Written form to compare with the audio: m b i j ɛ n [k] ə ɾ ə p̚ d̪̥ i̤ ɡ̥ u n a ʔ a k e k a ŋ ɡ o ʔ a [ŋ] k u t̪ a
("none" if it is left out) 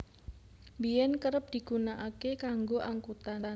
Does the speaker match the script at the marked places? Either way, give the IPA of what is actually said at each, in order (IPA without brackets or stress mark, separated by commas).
k, ŋ